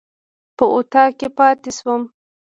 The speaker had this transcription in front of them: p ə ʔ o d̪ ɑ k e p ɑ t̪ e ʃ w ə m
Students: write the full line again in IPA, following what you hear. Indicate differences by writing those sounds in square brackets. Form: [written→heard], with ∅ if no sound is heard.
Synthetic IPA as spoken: p ə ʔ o [d̪→t̪] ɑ k e p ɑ t̪ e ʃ w ə m